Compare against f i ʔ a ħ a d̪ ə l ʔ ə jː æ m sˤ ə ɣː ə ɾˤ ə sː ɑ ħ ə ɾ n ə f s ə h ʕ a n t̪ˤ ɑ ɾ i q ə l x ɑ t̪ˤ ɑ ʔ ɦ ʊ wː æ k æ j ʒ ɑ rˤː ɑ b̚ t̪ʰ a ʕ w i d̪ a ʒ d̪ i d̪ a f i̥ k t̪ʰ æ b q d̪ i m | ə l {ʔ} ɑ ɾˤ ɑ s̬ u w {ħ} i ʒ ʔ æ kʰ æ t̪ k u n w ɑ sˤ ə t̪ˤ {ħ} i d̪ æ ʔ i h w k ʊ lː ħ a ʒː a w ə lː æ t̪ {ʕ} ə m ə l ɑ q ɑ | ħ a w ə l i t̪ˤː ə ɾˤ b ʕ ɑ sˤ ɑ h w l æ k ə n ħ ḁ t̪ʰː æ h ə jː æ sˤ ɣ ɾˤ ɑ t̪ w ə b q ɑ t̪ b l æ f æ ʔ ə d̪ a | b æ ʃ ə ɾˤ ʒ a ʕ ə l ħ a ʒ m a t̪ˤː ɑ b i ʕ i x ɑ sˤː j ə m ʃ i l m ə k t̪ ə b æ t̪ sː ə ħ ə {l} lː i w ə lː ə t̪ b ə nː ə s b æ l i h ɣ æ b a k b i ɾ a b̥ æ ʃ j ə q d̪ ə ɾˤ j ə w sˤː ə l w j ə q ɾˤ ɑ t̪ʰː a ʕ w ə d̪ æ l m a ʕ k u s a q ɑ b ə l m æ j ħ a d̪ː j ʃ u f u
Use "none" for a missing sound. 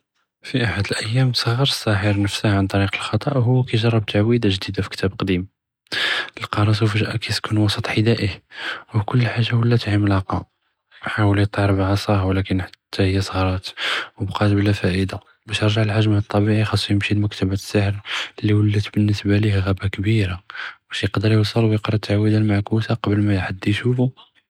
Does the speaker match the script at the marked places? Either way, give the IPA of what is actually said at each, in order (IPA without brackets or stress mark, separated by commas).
q, f, ħ, ʕ, ɾ